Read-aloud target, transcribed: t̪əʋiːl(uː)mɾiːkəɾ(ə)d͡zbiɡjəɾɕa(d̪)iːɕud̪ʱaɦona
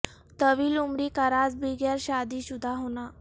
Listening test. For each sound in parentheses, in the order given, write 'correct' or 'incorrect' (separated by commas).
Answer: incorrect, incorrect, correct